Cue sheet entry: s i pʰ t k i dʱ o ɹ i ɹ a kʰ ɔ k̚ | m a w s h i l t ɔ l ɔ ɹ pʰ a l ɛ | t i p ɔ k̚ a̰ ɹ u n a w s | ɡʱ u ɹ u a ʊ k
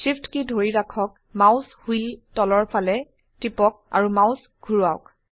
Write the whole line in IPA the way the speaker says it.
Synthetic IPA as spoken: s i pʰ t k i dʱ o ɹ i ɹ a kʰ ɔ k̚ | m a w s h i l t ɔ l ɔ ɹ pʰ a l ɛ | t i p ɔ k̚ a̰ ɹ u m a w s | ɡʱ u ɹ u a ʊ k